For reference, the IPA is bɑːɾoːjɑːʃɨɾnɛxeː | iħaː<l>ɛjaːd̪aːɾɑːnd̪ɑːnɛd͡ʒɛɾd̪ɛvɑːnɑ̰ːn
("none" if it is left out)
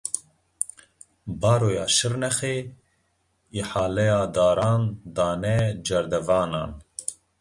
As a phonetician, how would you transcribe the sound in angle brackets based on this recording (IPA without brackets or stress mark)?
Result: l